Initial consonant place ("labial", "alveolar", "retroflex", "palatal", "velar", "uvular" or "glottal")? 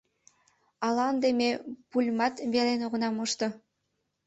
alveolar